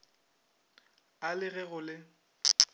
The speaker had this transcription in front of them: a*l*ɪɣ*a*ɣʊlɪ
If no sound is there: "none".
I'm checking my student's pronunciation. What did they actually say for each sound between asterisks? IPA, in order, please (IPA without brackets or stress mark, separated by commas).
l, ɛ